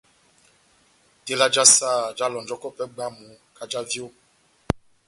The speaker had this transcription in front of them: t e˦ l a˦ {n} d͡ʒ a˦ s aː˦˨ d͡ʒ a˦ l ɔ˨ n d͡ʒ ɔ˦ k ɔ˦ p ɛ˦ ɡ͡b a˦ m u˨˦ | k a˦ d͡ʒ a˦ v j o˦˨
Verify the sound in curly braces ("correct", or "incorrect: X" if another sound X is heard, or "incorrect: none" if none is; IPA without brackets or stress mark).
incorrect: none